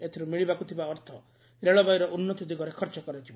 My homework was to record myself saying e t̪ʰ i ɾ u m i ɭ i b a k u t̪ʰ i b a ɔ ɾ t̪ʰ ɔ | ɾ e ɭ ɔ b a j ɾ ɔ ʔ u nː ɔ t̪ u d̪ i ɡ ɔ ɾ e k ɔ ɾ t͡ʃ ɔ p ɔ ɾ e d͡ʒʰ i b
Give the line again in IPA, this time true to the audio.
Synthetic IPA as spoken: e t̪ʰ i ɾ u m i ɭ i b a k u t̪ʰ i b a ɔ ɾ t̪ʰ ɔ | ɾ e ɭ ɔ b a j ɾ ɔ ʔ u nː ɔ t̪ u d̪ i ɡ ɔ ɾ e kʰ ɔ ɾ t͡ʃ ɔ k ɔ ɾ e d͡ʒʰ i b